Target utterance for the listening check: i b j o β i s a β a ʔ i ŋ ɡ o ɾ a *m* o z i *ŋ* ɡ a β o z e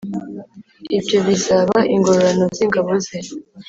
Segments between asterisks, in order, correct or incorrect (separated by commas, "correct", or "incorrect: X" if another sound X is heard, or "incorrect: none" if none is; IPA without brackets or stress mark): incorrect: n, correct